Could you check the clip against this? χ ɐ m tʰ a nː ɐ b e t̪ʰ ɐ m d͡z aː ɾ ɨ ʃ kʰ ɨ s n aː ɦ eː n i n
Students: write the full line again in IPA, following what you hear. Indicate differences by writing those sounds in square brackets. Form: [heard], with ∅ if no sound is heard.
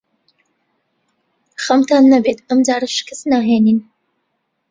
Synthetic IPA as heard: χ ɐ m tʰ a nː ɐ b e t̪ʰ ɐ m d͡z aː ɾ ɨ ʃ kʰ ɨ s n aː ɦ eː n i n